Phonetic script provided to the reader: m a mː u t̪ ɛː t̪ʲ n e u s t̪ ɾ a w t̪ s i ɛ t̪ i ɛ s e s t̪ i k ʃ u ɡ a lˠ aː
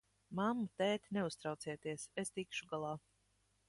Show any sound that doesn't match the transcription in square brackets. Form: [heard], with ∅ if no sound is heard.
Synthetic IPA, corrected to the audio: m a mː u t̪ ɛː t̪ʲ n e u s t̪ ɾ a w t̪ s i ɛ t̪ i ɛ s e s t̪ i k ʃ u ɡ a lˠ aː